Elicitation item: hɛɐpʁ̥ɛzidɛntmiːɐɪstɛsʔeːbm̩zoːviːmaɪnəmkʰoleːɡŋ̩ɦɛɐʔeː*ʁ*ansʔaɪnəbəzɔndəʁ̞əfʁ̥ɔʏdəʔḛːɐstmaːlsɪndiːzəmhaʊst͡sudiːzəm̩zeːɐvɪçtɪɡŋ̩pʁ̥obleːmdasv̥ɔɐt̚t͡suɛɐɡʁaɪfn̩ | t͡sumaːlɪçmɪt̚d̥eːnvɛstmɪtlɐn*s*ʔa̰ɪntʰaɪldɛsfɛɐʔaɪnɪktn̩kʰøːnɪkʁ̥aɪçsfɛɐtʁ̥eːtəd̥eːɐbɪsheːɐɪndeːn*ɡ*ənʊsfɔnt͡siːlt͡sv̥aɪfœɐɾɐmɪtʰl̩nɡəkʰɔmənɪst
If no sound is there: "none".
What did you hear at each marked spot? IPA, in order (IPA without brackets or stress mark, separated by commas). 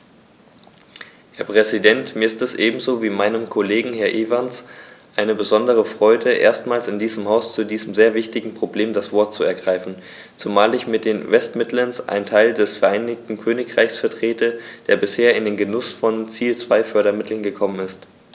v, s, ɡ